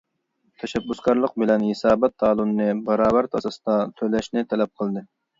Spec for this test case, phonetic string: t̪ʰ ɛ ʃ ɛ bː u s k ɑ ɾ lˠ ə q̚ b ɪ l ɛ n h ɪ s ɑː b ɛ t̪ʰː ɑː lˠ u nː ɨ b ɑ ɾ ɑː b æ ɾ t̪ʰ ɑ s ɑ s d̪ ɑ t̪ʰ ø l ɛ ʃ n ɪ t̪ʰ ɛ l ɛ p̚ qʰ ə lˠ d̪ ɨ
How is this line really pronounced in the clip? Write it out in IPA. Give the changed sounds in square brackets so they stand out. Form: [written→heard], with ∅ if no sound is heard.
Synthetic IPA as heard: t̪ʰ ɛ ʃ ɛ bː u s k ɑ ɾ lˠ ə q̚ b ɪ l ɛ n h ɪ s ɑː b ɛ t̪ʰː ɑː lˠ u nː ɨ b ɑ ɾ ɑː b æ ɾ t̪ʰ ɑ s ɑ s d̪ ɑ t̪ʰ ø l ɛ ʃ n ɪ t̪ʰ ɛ l ɛ p̚ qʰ ə lˠ d̪ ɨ